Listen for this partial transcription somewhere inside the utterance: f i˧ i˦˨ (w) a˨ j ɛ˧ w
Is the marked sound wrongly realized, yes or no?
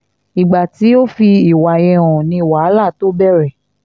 no